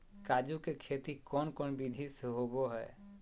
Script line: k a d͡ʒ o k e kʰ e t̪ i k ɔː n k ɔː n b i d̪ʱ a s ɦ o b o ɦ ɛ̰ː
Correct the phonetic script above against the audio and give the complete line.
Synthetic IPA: k a d͡ʒ u k e kʰ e t̪ i k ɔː n k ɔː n b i d̪ʱ i s ɦ o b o ɦ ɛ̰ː